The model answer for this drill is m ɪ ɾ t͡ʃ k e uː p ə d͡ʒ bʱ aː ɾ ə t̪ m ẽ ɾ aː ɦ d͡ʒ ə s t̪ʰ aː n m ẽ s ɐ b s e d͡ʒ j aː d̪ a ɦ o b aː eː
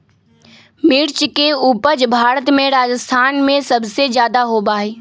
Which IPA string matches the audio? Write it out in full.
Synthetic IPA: m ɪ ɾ t͡ʃ k e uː p ə d͡ʒ bʱ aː ɾ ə t̪ m ẽ ɾ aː d͡ʒ ə s t̪ʰ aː n m ẽ s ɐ b s e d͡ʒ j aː d̪ a ɦ o b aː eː